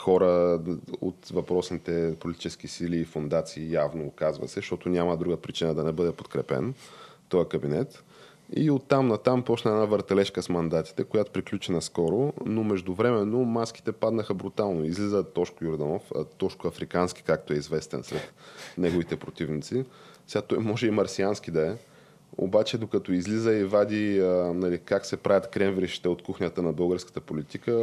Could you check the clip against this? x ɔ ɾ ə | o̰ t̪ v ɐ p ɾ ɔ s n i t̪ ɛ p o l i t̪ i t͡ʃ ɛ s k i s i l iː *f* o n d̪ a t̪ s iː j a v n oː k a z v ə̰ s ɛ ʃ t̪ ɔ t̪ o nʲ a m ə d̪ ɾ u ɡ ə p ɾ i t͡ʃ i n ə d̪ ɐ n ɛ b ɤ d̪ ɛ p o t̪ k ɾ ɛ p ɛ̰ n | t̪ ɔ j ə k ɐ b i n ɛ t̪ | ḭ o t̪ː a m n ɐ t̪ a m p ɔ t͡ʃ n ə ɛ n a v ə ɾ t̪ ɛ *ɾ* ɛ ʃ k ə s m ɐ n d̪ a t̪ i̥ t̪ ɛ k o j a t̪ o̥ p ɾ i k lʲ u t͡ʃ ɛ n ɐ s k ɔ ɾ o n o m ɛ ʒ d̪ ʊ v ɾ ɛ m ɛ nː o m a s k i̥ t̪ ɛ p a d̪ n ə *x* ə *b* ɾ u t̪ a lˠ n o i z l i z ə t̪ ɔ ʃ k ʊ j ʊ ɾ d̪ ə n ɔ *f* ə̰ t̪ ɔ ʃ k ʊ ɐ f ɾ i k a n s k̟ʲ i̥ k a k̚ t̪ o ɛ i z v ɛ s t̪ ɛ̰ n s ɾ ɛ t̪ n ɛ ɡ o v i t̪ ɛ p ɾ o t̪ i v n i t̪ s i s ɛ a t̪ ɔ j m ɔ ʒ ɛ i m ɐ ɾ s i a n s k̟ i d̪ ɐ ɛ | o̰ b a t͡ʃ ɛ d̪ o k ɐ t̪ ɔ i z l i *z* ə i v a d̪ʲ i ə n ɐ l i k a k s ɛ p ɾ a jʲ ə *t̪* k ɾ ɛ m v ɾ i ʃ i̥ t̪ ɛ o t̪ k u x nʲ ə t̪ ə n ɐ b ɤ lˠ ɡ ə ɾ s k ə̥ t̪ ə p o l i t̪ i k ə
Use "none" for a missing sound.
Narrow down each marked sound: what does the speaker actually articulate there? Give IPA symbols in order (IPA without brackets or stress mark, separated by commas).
f, l, x, b, f, z, t̪